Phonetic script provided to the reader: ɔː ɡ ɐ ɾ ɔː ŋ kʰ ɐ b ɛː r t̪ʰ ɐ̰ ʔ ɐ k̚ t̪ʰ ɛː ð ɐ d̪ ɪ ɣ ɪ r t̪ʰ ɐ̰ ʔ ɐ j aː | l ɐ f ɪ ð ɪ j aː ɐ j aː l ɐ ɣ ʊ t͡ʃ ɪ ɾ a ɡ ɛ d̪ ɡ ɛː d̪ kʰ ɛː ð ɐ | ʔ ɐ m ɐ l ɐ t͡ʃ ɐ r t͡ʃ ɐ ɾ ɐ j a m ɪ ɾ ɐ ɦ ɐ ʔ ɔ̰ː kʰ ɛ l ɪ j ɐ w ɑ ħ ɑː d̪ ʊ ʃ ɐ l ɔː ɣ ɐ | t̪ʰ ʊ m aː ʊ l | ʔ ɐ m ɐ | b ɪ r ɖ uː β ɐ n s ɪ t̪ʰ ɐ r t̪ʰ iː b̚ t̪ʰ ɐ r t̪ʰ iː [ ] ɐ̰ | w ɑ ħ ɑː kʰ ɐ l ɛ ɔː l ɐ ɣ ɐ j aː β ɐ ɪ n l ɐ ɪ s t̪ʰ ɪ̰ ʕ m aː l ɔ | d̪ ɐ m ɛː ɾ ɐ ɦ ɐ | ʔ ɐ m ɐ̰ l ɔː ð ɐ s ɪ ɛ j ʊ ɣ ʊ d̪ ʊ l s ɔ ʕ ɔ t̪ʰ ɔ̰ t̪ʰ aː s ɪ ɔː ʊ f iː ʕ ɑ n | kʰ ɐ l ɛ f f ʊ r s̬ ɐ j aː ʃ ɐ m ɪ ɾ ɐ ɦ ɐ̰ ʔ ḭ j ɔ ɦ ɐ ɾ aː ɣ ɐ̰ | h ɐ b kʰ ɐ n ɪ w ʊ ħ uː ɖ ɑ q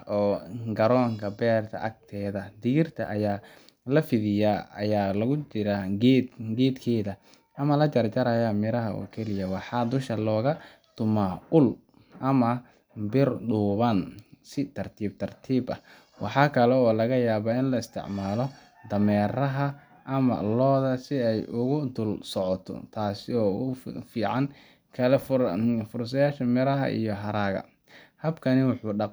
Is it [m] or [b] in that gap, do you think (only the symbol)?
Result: b